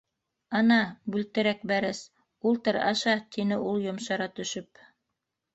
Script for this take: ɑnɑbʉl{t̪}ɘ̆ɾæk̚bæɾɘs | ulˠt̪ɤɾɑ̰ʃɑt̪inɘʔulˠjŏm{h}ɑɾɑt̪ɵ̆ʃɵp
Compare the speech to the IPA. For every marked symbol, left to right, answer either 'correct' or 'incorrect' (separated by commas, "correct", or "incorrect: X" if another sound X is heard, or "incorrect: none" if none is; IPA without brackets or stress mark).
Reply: correct, incorrect: ʃ